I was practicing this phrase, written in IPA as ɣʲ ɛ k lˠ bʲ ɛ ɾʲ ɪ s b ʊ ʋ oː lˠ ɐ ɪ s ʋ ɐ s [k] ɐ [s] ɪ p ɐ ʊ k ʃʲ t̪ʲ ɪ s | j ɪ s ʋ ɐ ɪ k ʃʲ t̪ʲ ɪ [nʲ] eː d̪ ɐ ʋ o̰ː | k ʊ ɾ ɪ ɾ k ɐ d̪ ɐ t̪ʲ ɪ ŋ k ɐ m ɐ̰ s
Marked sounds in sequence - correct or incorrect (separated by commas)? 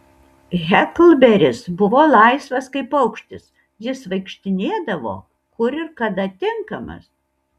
correct, incorrect, correct